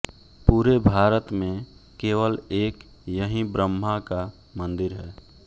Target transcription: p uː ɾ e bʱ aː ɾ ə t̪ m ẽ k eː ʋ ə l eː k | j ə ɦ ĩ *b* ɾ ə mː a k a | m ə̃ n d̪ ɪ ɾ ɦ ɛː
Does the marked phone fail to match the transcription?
no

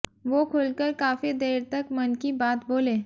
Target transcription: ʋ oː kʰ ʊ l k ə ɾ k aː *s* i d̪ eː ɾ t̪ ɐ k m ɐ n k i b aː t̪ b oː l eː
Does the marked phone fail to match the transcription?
yes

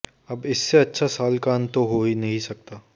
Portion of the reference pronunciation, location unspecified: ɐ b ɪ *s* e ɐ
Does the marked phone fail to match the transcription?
yes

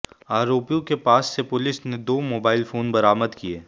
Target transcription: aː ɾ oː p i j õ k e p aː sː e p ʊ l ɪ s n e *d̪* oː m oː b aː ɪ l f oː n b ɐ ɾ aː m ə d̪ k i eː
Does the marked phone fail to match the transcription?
no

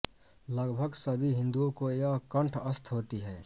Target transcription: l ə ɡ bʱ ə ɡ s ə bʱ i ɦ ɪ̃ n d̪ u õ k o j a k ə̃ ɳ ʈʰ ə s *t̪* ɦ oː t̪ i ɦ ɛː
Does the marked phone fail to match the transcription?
yes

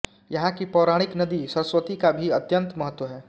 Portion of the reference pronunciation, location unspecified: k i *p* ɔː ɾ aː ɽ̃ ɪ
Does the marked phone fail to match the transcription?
no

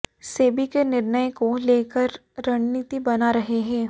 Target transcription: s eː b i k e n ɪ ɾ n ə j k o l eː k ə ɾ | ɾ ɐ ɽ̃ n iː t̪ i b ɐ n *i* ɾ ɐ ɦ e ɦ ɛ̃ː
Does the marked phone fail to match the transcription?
yes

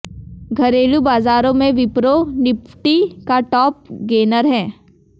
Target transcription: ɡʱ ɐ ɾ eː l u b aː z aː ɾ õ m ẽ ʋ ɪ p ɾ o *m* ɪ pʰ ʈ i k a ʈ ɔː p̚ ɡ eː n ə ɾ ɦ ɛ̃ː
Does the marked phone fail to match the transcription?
yes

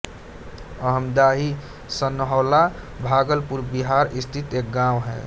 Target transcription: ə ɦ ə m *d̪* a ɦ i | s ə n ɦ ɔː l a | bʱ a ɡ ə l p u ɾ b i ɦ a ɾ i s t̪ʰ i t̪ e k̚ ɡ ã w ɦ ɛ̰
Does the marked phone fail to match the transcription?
no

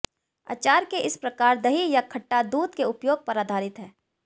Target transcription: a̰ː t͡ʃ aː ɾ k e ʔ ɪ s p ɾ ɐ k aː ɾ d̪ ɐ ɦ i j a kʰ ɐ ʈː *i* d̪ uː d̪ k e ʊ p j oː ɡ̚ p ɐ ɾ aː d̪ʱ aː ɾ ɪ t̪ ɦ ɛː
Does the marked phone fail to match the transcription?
yes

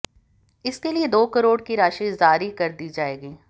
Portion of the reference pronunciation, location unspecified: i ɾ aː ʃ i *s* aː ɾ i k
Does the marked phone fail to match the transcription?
yes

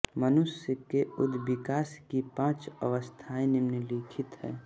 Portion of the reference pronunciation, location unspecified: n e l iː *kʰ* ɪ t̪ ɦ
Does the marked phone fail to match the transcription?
no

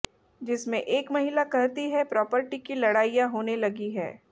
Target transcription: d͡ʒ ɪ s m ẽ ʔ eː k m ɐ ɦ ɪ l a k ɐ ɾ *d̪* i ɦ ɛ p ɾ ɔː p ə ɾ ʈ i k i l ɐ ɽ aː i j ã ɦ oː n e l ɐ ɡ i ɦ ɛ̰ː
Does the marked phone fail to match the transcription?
yes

